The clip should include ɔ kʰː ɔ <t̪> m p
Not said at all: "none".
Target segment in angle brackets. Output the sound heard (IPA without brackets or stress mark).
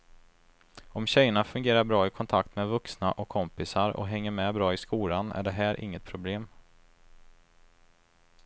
none